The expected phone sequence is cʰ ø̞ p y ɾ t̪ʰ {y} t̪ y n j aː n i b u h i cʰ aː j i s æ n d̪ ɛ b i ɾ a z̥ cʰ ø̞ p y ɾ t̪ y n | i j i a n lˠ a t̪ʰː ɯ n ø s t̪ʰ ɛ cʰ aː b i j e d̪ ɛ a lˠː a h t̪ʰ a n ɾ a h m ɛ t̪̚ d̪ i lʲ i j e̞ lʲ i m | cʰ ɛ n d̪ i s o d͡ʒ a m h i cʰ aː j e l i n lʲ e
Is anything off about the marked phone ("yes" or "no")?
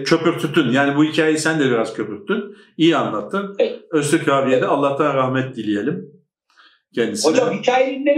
no